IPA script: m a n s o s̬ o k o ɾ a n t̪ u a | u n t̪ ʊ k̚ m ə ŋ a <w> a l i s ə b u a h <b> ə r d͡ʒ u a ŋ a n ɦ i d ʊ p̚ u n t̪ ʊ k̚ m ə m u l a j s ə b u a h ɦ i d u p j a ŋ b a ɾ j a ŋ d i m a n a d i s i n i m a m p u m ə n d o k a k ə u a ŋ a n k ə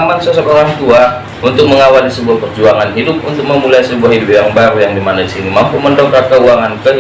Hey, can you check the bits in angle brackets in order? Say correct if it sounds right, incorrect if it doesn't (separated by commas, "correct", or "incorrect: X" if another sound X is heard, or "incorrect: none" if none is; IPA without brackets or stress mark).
correct, incorrect: p